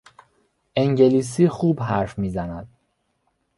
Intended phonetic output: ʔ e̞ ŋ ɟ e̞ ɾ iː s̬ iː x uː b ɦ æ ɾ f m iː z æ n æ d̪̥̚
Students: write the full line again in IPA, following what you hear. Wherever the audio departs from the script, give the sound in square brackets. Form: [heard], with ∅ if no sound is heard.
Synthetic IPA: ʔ e̞ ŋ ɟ e̞ [l] iː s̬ iː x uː b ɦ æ ɾ f m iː z æ n æ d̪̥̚